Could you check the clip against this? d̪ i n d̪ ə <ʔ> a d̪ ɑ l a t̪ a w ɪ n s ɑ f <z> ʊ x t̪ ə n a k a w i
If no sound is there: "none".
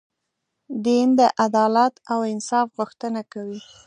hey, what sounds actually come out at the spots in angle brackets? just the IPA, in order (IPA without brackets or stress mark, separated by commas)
ʔ, ɣ